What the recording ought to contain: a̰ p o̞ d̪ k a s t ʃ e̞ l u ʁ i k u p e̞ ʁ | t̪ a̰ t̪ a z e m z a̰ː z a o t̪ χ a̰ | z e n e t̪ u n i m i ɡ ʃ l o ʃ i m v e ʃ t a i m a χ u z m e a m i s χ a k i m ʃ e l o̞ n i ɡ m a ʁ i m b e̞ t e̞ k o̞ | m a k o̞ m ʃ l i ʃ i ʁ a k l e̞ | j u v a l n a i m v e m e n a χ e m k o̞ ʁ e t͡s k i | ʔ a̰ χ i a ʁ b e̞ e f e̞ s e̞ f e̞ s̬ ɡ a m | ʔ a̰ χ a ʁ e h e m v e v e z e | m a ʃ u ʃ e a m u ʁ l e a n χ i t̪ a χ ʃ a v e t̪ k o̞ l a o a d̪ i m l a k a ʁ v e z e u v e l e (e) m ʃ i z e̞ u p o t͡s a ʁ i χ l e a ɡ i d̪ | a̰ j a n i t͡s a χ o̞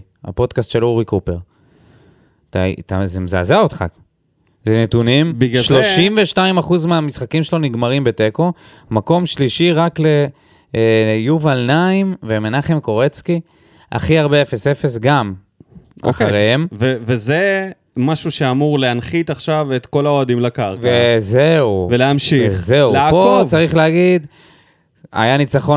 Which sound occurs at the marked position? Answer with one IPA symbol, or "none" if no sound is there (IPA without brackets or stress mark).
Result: a